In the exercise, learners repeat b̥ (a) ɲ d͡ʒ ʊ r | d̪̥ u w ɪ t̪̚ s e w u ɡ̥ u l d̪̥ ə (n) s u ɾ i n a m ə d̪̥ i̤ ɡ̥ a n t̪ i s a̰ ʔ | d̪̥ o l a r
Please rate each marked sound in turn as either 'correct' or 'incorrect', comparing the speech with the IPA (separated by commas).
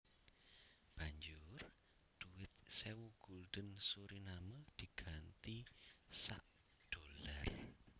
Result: correct, correct